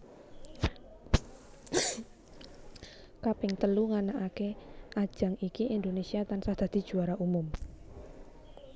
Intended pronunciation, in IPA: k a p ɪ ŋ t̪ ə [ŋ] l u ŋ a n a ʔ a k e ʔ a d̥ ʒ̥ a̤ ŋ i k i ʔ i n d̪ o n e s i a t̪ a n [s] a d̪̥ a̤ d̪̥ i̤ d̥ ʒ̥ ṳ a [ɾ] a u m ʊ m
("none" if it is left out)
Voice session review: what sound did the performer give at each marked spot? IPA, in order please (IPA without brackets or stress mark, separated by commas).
none, s, ɾ